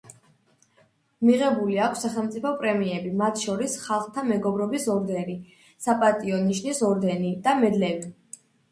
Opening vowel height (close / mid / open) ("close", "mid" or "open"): close